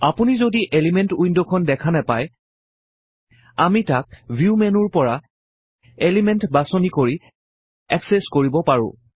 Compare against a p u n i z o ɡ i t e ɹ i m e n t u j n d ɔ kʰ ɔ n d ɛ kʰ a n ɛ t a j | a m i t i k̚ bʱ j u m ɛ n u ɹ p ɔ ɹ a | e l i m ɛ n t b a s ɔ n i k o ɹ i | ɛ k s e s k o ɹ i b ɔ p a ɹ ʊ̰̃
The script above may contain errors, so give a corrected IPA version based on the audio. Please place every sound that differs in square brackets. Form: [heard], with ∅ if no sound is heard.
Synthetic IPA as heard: a p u n i z o [d] i [ʔ] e [l] i m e n t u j n d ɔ kʰ ɔ n d ɛ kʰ a n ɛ [p] a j | a m i t [a] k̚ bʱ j u m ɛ n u ɹ p ɔ ɹ a | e l i m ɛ n t b a s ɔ n i k o ɹ i | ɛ k s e s k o ɹ i b ɔ p a ɹ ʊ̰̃